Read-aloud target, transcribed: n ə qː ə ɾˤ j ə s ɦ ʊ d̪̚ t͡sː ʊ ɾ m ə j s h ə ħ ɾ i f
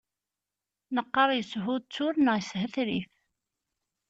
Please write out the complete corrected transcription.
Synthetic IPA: n ə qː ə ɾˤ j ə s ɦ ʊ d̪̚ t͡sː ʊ ɾ n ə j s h ə θ ɾ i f